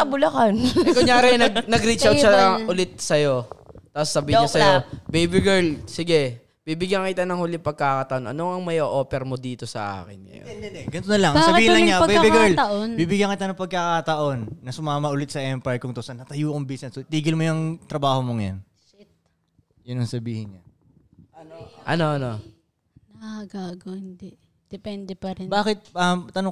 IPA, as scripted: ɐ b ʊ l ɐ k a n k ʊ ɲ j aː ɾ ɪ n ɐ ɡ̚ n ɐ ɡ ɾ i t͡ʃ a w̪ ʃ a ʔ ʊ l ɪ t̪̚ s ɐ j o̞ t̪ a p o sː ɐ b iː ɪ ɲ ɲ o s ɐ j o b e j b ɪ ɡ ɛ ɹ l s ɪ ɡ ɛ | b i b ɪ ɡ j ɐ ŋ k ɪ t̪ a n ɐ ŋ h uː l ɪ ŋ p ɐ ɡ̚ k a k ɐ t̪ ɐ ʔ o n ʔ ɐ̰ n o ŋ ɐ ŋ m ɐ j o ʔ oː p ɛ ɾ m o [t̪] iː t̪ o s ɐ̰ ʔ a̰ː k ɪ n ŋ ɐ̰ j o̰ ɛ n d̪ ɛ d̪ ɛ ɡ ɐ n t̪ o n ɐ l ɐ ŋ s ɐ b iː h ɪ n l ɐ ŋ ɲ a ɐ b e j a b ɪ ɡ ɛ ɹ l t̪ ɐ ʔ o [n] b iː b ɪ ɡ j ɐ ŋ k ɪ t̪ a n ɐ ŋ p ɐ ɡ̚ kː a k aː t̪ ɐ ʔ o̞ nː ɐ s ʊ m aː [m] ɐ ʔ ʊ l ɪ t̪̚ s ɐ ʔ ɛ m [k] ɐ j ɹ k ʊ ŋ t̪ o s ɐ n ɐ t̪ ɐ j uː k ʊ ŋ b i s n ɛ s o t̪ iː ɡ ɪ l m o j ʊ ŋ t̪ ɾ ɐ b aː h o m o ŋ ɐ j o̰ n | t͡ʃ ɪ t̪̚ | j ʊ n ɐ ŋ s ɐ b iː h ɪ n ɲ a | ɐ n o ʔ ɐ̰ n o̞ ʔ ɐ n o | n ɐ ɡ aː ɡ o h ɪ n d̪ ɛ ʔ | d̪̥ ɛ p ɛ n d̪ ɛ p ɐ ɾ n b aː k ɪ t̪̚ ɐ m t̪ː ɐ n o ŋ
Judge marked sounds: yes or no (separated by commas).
no, yes, yes, no